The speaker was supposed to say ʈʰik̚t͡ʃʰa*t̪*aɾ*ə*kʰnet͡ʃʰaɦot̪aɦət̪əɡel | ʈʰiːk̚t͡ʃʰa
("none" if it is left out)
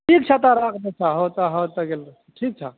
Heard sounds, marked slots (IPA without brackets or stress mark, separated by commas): t̪, a